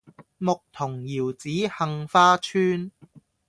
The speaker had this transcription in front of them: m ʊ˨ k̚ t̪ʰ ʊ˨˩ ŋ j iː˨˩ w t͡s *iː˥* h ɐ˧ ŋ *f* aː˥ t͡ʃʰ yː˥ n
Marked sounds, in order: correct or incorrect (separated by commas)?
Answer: incorrect, correct